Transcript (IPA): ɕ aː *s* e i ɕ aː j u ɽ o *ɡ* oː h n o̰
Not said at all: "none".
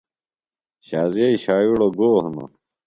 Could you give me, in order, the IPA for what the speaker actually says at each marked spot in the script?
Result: z, ɡ

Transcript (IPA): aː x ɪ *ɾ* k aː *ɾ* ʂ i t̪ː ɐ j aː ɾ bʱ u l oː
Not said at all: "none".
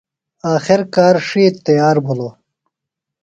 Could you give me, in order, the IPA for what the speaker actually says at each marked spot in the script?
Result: ɾ, ɾ

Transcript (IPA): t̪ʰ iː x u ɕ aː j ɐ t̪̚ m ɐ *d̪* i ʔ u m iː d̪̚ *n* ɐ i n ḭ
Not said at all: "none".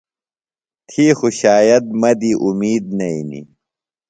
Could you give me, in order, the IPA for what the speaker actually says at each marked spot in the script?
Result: d̪, n

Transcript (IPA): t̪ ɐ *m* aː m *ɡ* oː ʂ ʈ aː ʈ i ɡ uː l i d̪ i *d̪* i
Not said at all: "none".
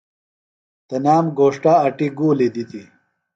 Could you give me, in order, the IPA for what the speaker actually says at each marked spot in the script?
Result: n, ɡ, t̪

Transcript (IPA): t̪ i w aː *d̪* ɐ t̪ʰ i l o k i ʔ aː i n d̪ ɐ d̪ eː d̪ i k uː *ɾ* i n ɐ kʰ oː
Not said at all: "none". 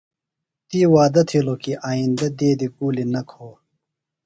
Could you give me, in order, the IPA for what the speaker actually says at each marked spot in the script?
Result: d̪, l

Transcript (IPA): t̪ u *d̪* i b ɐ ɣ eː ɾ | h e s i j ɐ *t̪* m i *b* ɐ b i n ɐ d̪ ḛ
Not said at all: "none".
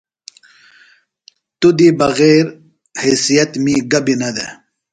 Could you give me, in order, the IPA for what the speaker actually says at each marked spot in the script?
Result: d̪, t̪, ɡ

